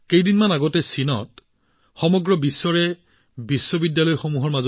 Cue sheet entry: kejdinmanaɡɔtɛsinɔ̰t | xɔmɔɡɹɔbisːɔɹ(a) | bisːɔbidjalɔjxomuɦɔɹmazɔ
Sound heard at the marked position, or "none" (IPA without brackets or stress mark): ɛ